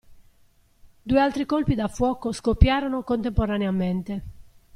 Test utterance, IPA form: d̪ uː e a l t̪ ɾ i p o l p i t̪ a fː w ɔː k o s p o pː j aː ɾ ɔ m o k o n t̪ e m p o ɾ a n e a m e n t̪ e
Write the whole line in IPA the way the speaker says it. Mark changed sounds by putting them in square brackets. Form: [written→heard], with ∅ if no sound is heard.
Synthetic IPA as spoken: d̪ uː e a l t̪ ɾ i [p→k] o l p i [t̪→d̪] a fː w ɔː k o s [p→k] o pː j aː ɾ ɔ [m→n] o k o n t̪ e m p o ɾ a n e a m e n t̪ e